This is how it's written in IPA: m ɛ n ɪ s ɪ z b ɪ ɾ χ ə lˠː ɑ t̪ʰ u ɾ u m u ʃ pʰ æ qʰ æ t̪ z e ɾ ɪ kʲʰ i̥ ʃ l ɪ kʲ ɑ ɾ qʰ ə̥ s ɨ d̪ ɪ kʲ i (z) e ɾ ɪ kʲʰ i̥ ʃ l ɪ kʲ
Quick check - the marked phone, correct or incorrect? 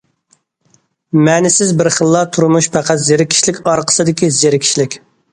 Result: correct